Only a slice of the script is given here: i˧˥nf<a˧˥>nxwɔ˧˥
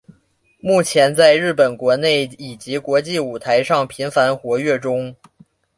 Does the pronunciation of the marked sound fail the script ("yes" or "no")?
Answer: no